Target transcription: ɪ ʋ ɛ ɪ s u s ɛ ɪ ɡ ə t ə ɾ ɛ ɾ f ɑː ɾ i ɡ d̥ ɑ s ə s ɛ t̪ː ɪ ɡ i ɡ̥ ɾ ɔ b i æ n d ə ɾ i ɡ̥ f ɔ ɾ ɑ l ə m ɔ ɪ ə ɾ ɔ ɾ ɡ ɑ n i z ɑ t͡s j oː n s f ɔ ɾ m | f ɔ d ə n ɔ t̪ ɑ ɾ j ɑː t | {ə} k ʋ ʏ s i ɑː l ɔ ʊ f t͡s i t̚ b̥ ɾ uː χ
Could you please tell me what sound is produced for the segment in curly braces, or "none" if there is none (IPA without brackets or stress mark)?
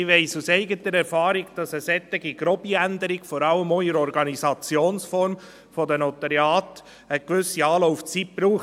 ə